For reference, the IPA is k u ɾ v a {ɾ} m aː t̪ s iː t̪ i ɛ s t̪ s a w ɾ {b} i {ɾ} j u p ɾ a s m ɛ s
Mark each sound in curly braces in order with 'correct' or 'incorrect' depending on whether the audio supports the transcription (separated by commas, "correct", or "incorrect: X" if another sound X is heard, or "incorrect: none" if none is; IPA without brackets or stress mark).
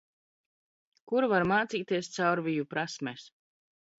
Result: correct, incorrect: v, incorrect: none